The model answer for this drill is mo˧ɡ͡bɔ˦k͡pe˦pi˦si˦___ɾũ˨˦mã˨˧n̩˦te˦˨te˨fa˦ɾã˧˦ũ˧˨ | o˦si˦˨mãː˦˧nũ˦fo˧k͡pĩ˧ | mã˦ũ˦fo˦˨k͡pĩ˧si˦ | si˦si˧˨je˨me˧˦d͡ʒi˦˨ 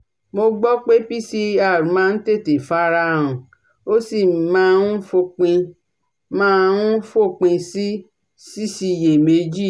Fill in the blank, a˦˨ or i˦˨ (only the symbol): a˦˨